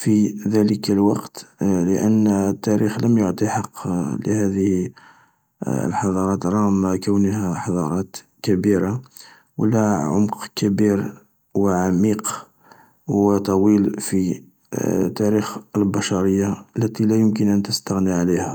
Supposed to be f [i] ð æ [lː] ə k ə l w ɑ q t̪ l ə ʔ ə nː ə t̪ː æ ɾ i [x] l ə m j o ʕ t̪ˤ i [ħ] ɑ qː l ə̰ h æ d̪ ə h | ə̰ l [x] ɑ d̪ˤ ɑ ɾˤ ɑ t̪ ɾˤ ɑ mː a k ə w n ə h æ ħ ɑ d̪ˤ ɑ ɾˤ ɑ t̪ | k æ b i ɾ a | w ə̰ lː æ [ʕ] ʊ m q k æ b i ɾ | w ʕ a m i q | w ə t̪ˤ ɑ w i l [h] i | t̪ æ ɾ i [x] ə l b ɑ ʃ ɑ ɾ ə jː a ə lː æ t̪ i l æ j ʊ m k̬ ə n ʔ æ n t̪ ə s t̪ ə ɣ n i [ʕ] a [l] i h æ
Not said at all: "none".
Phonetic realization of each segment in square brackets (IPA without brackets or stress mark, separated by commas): i, l, x, ħ, ħ, ʕ, f, x, ʕ, l